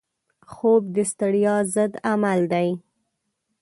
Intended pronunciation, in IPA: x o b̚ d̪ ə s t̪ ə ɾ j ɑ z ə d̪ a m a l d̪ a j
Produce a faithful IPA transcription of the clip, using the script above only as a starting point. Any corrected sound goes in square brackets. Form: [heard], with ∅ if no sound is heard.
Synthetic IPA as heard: x o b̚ d̪ ə s t̪ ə [ɽ] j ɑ z ə d̪ a m a l d̪ a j